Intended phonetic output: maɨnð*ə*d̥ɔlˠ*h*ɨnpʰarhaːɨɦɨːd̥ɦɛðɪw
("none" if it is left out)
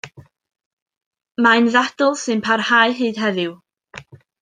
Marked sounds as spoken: a, s

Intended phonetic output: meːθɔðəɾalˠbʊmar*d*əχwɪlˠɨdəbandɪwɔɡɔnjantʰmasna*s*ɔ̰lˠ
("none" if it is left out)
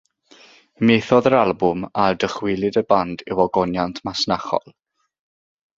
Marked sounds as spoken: d, χ

